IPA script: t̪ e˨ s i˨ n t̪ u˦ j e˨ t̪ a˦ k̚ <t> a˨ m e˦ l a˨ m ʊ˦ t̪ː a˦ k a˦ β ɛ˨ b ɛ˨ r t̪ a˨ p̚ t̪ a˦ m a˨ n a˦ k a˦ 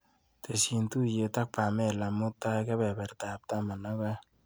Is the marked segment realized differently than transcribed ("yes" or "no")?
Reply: yes